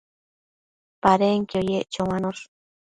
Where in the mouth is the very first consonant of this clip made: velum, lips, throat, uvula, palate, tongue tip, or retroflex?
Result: lips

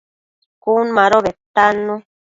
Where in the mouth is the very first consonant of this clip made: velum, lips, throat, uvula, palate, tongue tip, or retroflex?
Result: velum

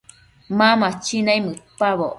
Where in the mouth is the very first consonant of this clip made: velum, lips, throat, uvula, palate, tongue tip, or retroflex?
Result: lips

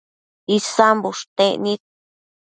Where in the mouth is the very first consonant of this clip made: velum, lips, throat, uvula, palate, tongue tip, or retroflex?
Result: tongue tip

